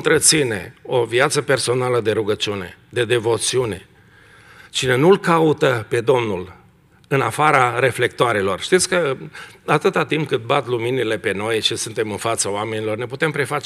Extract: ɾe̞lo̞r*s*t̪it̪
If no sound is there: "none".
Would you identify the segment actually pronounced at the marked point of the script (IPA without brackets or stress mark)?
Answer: ʃ